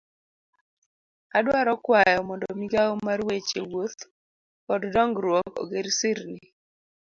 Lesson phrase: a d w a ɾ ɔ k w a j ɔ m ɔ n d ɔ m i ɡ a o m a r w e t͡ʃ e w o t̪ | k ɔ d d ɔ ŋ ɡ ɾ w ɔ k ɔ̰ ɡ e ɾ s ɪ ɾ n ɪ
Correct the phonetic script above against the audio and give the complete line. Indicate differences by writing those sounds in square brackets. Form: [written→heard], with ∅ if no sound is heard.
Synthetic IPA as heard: a d w a ɾ ɔ k w a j ɔ m ɔ n d ɔ m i ɡ a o m a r w e t͡ʃ e w o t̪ | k ɔ d d ɔ ŋ ɡ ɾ w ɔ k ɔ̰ ɡ e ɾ s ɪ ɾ n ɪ